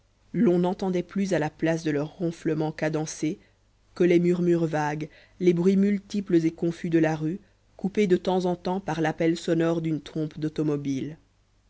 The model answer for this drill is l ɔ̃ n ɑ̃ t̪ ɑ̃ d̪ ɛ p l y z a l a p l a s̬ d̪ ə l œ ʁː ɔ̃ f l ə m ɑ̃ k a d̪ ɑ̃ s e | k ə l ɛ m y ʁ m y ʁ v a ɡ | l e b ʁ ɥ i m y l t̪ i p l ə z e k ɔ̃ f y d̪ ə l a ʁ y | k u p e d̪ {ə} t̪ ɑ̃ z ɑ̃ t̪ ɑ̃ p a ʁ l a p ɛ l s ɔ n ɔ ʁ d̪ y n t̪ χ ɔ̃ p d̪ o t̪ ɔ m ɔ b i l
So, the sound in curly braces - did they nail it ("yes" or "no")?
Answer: yes